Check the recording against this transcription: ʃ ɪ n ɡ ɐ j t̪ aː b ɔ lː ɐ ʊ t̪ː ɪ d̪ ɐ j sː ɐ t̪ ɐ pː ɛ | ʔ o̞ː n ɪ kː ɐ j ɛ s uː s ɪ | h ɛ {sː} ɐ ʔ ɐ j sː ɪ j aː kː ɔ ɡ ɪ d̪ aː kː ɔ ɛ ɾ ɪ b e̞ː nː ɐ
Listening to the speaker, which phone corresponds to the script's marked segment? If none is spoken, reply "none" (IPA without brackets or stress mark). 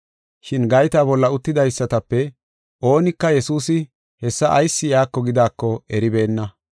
sː